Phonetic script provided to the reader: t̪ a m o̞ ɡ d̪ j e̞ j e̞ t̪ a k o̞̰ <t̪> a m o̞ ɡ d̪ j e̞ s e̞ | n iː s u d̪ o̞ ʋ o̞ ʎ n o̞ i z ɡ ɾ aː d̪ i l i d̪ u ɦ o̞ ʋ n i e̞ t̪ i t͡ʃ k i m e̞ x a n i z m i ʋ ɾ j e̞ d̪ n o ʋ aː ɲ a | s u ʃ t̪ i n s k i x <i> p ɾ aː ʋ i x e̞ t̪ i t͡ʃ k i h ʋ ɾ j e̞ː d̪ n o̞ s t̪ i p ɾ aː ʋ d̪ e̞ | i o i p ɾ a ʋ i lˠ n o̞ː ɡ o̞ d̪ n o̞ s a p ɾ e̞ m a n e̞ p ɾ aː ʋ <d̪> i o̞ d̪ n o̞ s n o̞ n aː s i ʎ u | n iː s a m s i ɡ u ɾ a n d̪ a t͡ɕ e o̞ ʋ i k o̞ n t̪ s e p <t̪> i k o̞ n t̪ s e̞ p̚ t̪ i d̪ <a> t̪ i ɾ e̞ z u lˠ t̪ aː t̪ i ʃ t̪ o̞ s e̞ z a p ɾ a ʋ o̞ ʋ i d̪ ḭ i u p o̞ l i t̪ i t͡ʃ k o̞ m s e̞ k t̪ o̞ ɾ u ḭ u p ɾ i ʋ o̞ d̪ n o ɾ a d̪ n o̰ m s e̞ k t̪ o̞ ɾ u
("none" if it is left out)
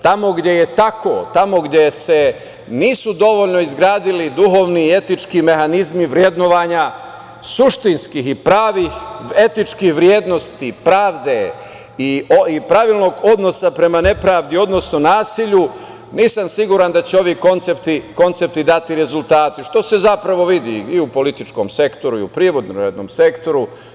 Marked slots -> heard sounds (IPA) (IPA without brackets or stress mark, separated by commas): t̪, i, d̪, t̪, a